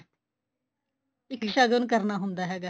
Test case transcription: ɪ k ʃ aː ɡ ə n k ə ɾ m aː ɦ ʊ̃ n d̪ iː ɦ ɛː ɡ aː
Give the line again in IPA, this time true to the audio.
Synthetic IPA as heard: ɪ k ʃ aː ɡ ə n k ə ɾ n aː ɦ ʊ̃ n d̪ aː ɦ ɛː ɡ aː